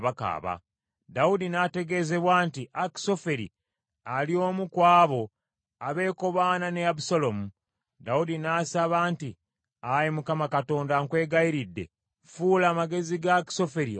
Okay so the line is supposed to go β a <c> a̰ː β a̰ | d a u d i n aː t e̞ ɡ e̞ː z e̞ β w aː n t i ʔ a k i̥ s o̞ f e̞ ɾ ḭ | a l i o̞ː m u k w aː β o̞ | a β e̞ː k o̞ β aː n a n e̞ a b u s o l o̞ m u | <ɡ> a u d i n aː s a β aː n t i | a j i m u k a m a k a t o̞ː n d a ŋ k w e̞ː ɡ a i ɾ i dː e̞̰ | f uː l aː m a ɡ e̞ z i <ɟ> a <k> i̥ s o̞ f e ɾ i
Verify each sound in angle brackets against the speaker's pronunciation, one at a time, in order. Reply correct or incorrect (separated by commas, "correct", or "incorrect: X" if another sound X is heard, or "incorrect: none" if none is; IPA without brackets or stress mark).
incorrect: k, incorrect: d, incorrect: ɡ, correct